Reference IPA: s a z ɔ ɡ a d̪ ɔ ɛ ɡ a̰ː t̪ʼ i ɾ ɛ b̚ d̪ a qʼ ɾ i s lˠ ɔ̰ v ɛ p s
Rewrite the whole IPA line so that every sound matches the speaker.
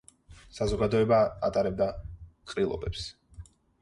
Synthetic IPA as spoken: s a z ɔ ɡ a d̪ ɔ ɛ b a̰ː t̪ʼ a ɾ ɛ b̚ d̪ a qʼ ɾ i lˠ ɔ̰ b ɛ p s